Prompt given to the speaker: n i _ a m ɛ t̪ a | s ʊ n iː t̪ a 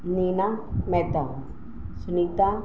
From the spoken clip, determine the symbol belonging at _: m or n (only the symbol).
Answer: n